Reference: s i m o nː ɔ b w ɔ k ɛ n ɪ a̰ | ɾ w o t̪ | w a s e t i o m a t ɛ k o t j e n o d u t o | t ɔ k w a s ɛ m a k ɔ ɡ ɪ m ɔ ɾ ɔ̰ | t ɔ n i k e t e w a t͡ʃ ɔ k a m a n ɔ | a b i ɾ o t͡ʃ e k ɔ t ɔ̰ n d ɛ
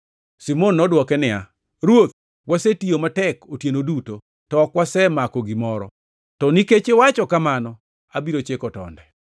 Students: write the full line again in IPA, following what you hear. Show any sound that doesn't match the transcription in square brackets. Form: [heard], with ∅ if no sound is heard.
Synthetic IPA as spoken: s i m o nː ɔ [d] w ɔ k ɛ n ɪ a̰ | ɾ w o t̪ | w a s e t i o m a t ɛ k o t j e n o d u t o | t ɔ k w a s ɛ m a k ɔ ɡ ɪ m ɔ ɾ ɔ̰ | t ɔ n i k e [t͡ʃ] e w a t͡ʃ ɔ k a m a n ɔ | a b i ɾ o t͡ʃ e k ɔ t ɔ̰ n d ɛ